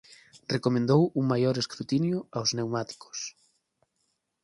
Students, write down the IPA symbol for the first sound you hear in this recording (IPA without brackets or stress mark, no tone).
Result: r